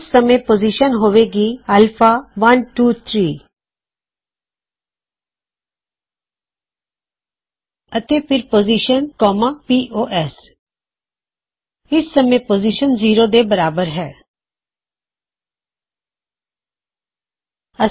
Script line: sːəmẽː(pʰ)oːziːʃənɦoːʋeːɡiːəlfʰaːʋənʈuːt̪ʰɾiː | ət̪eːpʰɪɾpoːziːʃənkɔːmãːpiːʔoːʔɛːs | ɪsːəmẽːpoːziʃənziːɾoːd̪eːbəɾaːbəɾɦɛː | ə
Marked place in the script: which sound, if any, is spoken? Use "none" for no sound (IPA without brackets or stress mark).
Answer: p